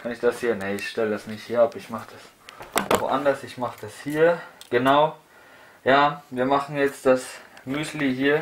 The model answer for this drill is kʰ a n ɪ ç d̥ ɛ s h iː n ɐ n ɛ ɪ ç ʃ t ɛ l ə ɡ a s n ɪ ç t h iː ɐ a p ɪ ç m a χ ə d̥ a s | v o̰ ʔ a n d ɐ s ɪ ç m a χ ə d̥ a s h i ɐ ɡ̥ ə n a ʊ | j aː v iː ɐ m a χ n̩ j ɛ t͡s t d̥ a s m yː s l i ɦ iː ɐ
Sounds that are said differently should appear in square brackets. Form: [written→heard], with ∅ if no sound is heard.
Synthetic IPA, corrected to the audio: kʰ a n ɪ ç d̥ [ɛ→a] s h iː [n→∅] ɐ n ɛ ɪ ç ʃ t ɛ l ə [ɡ→d] a s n ɪ ç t h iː ɐ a p ɪ ç m a χ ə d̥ a s | v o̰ ʔ a n d ɐ s ɪ ç m a χ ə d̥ a s h [i→iː] ɐ ɡ̥ ə n a ʊ | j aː v iː ɐ m a χ n̩ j ɛ t͡s t d̥ a s m yː s l i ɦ iː ɐ